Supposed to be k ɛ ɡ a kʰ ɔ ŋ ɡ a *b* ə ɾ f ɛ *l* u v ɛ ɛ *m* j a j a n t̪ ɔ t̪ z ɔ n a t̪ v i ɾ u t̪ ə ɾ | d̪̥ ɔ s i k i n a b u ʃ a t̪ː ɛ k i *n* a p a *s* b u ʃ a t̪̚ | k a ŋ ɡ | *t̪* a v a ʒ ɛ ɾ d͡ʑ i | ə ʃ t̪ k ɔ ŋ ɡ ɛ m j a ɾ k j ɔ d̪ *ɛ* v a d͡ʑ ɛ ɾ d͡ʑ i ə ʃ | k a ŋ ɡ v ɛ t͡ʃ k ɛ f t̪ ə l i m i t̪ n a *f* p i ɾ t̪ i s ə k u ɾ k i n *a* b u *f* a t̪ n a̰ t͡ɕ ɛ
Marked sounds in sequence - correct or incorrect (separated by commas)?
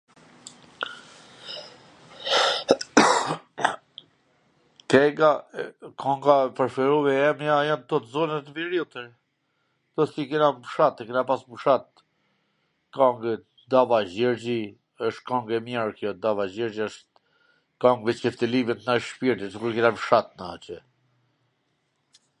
incorrect, incorrect, correct, correct, correct, incorrect, incorrect, incorrect, correct, incorrect